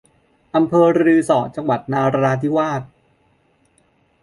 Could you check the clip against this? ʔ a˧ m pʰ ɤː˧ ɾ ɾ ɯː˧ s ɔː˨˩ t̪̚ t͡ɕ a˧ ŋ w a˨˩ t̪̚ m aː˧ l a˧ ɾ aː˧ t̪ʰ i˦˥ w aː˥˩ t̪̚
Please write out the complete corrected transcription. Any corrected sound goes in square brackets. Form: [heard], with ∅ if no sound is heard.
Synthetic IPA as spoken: ʔ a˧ m pʰ ɤː˧ ɾ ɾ ɯː˧ s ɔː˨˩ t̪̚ t͡ɕ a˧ ŋ w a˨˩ t̪̚ [n] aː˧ [ɾ] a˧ ɾ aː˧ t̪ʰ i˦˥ w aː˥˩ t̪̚